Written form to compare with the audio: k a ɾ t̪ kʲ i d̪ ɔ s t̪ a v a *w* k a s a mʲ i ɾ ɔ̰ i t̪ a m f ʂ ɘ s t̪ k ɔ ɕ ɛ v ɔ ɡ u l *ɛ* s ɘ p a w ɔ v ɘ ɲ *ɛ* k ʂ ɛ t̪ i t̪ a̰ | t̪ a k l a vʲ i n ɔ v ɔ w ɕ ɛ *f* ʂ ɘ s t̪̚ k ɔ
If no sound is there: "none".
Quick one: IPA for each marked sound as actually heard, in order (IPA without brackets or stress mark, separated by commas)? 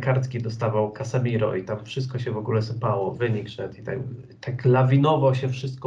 w, ɛ, i, f